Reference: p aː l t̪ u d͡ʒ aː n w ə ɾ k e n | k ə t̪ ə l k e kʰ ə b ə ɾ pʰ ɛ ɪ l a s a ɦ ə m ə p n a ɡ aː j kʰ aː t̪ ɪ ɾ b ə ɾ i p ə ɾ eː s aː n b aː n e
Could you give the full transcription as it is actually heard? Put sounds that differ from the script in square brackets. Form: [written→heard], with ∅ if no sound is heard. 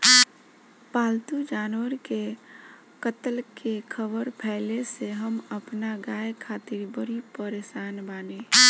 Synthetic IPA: p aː l t̪ u d͡ʒ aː n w ə ɾ k e [n→∅] | k ə t̪ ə l k e kʰ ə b ə ɾ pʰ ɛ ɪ l [a→e] s [a→e] ɦ ə m ə p n a ɡ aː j kʰ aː t̪ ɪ ɾ b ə ɾ i p ə ɾ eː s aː n b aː n e